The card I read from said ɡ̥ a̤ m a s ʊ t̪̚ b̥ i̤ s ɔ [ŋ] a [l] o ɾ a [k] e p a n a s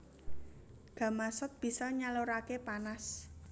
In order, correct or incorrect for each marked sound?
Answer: incorrect: ɲ, correct, correct

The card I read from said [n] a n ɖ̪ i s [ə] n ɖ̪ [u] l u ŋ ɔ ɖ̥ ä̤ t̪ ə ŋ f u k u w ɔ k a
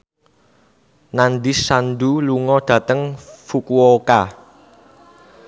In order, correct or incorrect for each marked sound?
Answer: correct, incorrect: a, correct

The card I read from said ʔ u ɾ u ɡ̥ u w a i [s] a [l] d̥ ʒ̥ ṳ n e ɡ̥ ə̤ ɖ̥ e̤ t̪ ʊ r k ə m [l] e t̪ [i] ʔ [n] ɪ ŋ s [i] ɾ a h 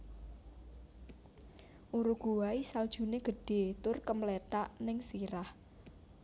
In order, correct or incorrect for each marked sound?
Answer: correct, correct, correct, incorrect: a, correct, correct

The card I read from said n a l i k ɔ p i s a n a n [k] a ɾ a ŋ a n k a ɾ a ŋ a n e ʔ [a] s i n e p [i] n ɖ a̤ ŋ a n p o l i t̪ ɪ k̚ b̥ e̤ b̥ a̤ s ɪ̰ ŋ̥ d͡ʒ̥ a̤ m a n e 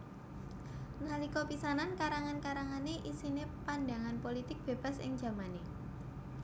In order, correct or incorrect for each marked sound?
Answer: correct, incorrect: i, incorrect: a

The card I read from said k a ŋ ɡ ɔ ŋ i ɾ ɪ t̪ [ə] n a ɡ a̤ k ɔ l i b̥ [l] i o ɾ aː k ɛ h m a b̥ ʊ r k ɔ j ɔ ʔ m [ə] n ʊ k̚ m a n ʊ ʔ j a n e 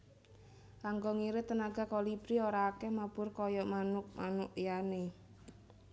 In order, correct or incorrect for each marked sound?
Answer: correct, incorrect: ɾ, incorrect: a

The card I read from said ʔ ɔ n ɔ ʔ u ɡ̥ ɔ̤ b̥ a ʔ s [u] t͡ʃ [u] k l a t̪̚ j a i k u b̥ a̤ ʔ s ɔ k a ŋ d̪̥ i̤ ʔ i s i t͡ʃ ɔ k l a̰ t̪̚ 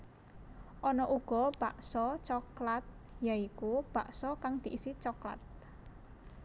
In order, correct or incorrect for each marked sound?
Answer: incorrect: ɔ, incorrect: ɔ

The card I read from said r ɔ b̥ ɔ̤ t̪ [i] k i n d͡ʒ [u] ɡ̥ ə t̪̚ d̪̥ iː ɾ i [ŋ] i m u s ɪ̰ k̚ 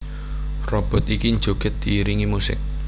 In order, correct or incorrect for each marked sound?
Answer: correct, incorrect: o, correct

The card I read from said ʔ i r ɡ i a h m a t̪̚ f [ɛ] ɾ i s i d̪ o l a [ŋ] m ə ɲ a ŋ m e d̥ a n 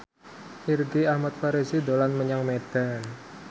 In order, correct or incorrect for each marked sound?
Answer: incorrect: a, incorrect: n

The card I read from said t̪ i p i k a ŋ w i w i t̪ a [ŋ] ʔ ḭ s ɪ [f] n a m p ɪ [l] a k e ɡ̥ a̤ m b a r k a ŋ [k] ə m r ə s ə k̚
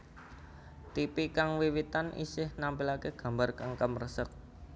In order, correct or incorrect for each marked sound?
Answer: incorrect: n, incorrect: h, correct, correct

